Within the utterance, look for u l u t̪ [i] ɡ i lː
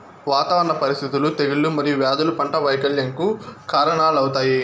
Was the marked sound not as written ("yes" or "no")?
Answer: yes